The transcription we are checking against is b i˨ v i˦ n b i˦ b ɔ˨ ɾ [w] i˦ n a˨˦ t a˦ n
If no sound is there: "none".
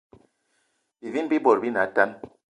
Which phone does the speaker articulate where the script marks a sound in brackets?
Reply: b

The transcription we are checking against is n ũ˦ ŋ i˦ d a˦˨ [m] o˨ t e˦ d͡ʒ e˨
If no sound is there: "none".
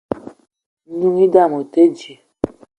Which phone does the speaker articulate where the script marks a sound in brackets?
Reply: m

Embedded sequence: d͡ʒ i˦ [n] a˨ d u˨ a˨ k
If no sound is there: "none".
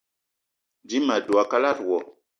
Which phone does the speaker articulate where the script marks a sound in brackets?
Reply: m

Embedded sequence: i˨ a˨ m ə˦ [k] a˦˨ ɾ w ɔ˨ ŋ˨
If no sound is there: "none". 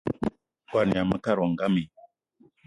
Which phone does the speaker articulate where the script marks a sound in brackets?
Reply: k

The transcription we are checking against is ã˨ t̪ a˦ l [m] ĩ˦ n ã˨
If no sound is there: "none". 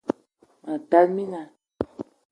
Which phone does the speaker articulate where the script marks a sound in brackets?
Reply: m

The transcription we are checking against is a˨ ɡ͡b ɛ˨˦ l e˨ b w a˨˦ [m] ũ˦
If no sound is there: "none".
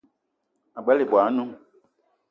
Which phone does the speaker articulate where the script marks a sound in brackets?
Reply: n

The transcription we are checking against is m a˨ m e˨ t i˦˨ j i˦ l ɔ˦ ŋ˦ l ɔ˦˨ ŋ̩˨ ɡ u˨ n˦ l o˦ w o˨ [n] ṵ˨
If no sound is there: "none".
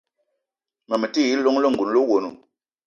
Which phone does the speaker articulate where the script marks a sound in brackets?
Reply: n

